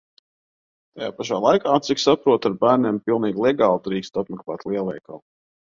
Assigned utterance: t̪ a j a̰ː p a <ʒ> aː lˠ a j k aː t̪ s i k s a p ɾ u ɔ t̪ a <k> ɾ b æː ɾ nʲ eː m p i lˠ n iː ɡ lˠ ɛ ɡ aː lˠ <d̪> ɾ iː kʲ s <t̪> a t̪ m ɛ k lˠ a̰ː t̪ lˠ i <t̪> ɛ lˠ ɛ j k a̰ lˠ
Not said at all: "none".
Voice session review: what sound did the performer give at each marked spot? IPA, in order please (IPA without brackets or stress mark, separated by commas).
ʃ, none, d̪, t̪, none